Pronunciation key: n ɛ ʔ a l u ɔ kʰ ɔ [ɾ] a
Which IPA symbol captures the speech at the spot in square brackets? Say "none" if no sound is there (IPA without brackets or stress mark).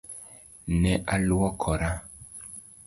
ɾ